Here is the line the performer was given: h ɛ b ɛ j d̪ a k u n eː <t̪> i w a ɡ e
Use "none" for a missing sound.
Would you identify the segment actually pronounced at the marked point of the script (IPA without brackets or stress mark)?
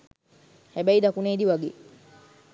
d̪